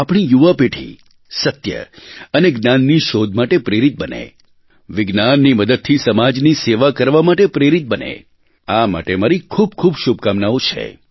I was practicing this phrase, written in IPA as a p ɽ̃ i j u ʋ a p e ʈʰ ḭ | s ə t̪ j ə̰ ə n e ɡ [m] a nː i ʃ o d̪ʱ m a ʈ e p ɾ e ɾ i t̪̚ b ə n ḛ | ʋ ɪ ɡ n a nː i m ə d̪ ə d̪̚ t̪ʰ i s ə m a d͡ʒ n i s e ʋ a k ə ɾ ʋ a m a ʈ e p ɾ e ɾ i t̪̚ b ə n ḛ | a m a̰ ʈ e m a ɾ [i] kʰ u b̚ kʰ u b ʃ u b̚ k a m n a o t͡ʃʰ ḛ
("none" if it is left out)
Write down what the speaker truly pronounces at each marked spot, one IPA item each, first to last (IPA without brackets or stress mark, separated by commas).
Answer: n, i